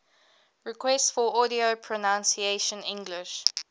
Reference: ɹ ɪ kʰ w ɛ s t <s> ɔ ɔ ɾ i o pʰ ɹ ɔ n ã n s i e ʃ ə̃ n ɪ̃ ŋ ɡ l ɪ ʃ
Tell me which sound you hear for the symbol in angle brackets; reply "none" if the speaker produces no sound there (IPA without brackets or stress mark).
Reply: f